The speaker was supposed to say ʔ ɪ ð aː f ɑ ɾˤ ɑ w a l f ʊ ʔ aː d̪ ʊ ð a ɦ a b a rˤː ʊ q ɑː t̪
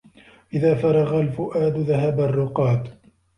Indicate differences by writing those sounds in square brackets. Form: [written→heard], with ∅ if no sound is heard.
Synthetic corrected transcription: ʔ ɪ ð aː f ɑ ɾˤ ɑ [w→ɣ] a l f ʊ ʔ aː d̪ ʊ ð a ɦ a b a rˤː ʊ q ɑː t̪

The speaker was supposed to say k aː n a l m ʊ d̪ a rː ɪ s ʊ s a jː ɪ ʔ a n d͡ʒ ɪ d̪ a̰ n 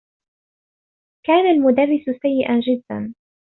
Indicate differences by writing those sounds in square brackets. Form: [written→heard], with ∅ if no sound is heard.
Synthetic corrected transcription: k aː n a l m ʊ d̪ a rː ɪ s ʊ s a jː ɪ ʔ a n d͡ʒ ɪ [d̪→d̪ː] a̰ n

